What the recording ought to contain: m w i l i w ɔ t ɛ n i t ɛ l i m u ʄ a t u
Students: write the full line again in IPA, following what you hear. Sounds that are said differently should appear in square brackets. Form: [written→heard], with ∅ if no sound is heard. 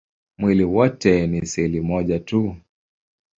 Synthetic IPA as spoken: m w i l i w ɔ t ɛ n i [t→s] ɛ l i m [u→ɔ] ʄ a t u

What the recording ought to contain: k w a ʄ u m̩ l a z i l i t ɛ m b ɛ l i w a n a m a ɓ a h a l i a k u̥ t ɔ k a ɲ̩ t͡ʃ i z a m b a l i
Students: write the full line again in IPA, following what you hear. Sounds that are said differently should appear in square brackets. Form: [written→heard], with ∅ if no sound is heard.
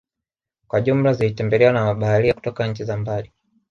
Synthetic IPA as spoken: k w a ʄ u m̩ l a z i l i t ɛ m b ɛ l [i→ɛ] w a n a m a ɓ a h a l i a k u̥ t ɔ k a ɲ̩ t͡ʃ i z a m b a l i

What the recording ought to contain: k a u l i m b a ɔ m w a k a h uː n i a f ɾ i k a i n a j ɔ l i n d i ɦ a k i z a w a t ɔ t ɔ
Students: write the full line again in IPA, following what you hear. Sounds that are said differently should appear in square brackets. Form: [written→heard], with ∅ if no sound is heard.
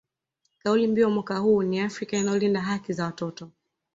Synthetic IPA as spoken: k a u l i m b [a→i] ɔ m w a k a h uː n i a f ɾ i k a i n a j ɔ l i n d [i→a] ɦ a k i z a w a t ɔ t ɔ

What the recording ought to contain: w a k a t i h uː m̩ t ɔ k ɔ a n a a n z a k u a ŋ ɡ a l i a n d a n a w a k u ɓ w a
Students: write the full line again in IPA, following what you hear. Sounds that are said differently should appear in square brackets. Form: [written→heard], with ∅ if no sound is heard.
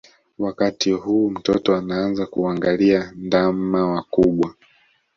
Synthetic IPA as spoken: w a k a t i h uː m̩ t ɔ [k→t] ɔ a n a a n z a k u a ŋ ɡ a l i a n d a [n→m] a w a k u ɓ w a

